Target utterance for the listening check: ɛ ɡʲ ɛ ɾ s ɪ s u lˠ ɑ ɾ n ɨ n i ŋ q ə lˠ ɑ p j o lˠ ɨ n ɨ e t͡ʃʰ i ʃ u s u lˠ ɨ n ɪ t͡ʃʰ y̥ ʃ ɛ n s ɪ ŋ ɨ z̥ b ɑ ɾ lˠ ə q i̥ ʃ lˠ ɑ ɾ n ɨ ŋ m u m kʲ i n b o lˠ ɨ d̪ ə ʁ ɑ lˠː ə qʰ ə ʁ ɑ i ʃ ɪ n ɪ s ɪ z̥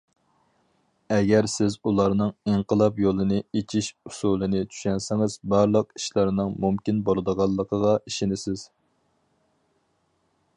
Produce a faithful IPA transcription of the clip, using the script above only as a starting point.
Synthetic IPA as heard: ɛ ɡʲ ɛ ɾ s ɪ z u lˠ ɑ ɾ n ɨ ŋ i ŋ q ə lˠ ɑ p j o lˠ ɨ n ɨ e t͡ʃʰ i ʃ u s u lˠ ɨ n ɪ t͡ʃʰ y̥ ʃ ɛ n s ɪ ŋ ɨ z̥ b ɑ ɾ lˠ ə q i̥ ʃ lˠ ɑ ɾ n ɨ ŋ m u m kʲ i n b o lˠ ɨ d̪ ə ʁ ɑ lˠː ə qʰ ə ʁ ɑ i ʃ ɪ n ɪ s ɪ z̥